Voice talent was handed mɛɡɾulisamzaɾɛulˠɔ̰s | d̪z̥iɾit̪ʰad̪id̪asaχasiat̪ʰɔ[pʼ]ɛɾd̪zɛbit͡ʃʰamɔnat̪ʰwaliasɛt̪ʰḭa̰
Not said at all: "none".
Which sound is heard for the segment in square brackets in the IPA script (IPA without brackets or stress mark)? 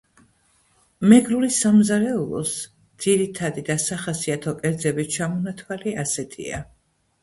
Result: kʼ